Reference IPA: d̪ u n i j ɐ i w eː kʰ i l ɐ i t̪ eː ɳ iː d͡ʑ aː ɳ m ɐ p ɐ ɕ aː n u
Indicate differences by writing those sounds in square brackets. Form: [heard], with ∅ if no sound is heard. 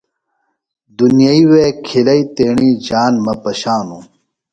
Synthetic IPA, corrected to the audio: d̪ u n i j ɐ i w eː kʰ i l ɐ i t̪ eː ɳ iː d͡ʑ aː [n] m ɐ p ɐ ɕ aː n u